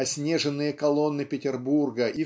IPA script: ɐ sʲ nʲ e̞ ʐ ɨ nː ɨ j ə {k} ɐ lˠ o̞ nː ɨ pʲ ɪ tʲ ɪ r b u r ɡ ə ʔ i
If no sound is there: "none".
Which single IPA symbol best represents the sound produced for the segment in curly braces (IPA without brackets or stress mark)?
k